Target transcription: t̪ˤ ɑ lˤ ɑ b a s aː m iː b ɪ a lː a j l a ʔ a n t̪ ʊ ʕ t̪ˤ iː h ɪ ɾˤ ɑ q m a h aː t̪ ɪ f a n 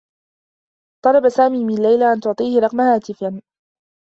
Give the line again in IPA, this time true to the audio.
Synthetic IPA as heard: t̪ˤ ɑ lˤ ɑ b a s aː m iː m ɪ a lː a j l a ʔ a n t̪ ʊ ʕ t̪ˤ iː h ɪ ɾˤ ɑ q m a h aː t̪ ɪ f a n